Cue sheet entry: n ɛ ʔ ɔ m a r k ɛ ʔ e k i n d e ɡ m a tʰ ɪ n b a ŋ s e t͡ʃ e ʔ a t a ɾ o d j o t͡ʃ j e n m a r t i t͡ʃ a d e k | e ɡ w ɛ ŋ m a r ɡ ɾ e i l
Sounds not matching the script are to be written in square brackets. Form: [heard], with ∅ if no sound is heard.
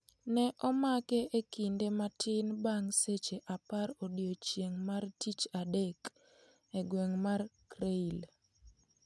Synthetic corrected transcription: n ɛ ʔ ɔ m a [∅] k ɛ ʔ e k i n d e [∅] m a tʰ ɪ n b a ŋ s e t͡ʃ e ʔ a [p] a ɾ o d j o t͡ʃ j e [ŋ] m a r t i t͡ʃ a d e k | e ɡ w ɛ ŋ m a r [k] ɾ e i l